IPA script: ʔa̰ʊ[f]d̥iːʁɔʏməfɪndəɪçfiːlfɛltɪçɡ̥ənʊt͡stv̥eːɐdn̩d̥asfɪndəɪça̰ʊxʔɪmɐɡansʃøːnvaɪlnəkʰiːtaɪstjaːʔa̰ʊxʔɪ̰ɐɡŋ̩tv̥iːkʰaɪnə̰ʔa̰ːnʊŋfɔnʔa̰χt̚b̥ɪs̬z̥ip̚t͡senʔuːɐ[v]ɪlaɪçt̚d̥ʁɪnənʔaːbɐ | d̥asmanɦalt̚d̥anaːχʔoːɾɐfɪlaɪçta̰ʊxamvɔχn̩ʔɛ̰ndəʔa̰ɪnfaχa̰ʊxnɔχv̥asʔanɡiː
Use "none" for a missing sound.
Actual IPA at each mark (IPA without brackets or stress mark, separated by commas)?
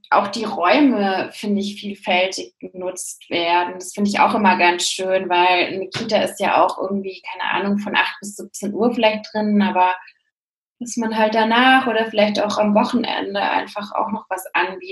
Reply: x, f